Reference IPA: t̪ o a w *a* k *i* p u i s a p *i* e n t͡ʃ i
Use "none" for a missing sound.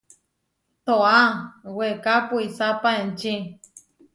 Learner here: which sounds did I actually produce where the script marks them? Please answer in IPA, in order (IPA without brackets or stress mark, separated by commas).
e, a, a